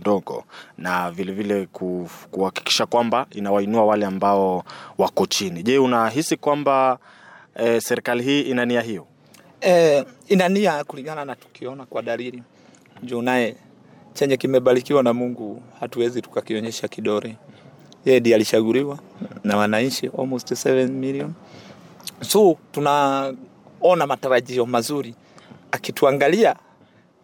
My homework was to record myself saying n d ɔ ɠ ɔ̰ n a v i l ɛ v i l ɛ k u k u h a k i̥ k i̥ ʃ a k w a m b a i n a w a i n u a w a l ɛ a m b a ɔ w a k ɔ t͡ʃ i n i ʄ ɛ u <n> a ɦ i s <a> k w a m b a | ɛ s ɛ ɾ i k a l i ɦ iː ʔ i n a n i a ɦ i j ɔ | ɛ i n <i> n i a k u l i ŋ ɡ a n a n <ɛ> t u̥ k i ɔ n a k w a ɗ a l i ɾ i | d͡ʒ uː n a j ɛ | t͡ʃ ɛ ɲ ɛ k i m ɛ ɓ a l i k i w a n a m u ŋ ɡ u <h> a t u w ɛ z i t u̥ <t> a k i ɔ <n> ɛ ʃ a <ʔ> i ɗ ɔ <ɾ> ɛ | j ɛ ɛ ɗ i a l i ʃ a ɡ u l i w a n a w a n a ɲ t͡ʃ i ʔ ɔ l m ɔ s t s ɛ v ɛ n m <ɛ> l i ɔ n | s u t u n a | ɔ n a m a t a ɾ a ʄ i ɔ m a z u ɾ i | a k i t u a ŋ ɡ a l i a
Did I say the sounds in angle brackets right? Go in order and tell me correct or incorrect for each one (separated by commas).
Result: correct, incorrect, incorrect, incorrect, correct, incorrect, incorrect, incorrect, correct, incorrect